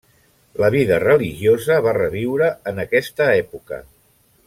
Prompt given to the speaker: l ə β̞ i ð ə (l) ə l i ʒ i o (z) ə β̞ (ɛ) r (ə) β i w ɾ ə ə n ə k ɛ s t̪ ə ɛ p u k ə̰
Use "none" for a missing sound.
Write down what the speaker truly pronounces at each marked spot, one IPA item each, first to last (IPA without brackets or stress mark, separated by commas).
r, z, a, ə